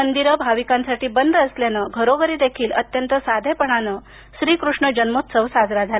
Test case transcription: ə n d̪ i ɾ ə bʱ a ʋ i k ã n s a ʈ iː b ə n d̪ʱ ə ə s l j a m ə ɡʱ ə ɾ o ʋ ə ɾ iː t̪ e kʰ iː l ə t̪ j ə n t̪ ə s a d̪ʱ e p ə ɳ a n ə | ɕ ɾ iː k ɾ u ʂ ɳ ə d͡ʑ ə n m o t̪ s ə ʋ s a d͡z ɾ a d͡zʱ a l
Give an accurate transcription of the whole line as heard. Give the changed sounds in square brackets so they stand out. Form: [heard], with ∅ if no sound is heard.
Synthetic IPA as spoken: ə n d̪ i ɾ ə bʱ a ʋ i k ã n s a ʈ iː b ə n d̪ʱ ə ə s l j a [n] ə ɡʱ ə ɾ o ʋ ə ɾ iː [d̪] e kʰ iː l ə t̪ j ə n t̪ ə s a d̪ʱ e p ə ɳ a n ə | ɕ ɾ iː k ɾ u ʂ ɳ ə d͡ʑ ə n m o t̪ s ə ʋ s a d͡z ɾ a d͡zʱ a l